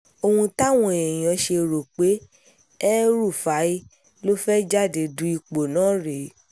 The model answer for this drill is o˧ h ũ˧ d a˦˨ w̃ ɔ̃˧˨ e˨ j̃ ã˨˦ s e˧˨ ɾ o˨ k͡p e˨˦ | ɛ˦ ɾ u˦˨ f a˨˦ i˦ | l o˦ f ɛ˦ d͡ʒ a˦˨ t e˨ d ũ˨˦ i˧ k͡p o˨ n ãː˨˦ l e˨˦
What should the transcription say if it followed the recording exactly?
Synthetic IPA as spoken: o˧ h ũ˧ t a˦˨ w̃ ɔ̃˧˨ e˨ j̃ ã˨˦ ʃ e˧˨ ɾ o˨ k͡p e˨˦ | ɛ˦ ɾ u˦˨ f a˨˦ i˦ | l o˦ f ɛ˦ d͡ʒ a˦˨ d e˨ d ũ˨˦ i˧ k͡p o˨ n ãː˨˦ ɾ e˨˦